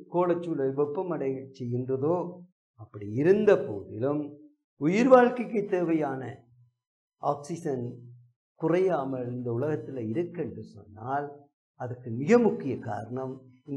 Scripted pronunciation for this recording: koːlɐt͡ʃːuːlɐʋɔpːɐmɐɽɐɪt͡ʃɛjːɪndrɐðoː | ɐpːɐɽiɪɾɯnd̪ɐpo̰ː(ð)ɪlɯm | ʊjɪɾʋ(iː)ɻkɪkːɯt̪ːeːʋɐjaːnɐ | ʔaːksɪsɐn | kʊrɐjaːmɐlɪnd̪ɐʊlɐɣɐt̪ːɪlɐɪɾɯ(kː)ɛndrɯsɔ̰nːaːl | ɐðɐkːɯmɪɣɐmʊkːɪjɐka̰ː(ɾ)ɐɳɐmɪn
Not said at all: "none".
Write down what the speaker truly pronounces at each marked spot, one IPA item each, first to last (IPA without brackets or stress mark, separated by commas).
ð, aː, kː, ɾ